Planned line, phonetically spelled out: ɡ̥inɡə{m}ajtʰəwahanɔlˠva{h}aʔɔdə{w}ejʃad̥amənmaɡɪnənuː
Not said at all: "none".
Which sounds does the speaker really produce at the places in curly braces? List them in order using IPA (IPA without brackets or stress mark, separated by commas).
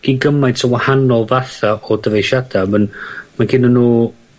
m, θ, v